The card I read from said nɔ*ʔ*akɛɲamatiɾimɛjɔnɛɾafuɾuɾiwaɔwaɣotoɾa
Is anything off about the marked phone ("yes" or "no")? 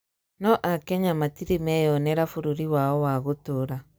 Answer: no